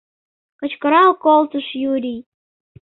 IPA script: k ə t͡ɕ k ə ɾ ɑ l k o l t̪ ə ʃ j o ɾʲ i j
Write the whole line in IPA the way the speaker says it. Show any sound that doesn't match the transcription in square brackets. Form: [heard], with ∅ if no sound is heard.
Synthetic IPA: k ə t͡ɕ k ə ɾ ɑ l k o l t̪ ə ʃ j [u] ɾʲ i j